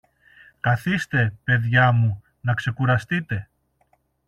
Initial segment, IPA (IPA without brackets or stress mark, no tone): k